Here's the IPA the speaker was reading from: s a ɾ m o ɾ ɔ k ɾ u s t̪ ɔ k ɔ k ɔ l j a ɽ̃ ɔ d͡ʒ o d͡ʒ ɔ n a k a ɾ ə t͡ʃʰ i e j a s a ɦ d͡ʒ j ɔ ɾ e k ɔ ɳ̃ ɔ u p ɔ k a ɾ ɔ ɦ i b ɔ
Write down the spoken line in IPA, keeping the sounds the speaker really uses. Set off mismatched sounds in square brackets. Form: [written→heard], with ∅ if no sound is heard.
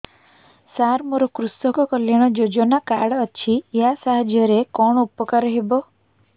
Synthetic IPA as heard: s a ɾ m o ɾ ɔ k ɾ u s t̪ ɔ k ɔ k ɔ l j a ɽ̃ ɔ d͡ʒ o d͡ʒ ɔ n a k a [ɾ→ɽ] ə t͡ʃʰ i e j a s a ɦ d͡ʒ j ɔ ɾ e k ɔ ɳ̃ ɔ u p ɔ k a ɾ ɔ ɦ [i→e] b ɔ